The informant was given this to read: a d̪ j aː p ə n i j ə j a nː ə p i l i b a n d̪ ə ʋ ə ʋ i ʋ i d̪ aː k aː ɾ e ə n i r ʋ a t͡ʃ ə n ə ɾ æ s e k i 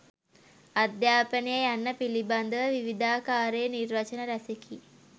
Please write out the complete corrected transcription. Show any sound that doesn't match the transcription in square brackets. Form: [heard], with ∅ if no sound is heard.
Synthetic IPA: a d̪ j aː p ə n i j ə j a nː ə p i l i b a n d̪ ə ʋ ə ʋ i ʋ i d̪ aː k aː ɾ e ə n i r ʋ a t͡ʃ ə n ə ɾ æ s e k i